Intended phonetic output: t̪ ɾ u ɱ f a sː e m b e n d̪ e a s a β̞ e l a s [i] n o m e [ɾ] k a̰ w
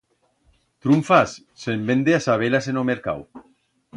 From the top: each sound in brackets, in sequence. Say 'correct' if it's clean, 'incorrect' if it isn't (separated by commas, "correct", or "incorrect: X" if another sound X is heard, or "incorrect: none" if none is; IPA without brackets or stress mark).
incorrect: e, correct